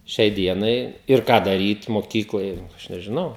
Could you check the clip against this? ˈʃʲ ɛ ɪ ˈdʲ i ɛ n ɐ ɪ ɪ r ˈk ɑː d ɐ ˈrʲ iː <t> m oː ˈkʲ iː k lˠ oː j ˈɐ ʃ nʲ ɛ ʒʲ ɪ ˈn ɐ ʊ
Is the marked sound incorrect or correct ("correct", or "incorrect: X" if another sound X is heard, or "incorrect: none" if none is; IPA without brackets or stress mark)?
correct